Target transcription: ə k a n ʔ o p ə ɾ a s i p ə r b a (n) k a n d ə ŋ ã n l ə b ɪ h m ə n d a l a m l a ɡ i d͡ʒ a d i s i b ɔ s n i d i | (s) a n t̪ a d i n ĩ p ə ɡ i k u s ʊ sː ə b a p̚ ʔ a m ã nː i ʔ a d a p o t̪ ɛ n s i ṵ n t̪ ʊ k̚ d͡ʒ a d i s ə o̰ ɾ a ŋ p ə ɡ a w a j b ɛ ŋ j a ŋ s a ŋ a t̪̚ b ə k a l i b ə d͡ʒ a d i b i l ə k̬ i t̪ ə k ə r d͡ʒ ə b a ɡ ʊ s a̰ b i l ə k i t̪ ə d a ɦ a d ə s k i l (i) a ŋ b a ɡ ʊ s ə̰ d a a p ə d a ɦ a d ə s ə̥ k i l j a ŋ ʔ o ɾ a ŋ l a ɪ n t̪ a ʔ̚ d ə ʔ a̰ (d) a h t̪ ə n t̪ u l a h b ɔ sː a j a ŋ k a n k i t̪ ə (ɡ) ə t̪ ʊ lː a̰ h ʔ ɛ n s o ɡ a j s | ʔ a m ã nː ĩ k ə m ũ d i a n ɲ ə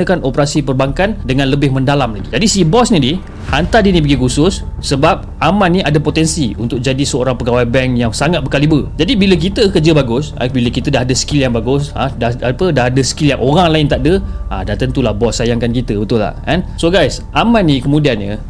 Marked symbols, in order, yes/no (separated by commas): no, no, no, yes, no